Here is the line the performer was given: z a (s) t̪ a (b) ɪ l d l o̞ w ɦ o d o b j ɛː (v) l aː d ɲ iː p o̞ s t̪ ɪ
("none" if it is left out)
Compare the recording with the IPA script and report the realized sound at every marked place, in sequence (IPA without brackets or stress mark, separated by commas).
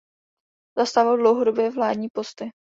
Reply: s, v, v